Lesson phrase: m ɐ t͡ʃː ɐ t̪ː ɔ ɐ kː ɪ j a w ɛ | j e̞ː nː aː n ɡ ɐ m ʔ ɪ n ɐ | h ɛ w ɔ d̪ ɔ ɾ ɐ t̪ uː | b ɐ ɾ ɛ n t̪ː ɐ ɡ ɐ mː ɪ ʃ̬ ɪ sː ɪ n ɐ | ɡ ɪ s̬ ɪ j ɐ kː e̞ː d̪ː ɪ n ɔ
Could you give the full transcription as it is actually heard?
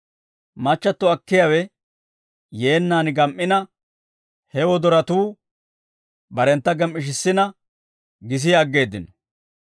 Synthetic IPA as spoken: m ɐ t͡ʃː ɐ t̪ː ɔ ɐ kː ɪ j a w ɛ | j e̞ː nː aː n ɡ ɐ m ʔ ɪ n ɐ | h ɛ w ɔ d̪ ɔ ɾ ɐ t̪ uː | b ɐ ɾ ɛ n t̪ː ɐ ɡ ɐ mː ɪ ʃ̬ ɪ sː ɪ n ɐ | ɡ ɪ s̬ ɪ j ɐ ɡː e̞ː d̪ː ɪ n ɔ